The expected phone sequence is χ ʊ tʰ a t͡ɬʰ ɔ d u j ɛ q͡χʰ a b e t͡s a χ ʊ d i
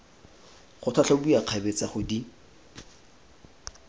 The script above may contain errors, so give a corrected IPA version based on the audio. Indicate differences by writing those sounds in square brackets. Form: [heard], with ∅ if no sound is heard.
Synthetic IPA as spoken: χ ʊ tʰ a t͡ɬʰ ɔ [b] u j [a] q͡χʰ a b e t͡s a χ ʊ d i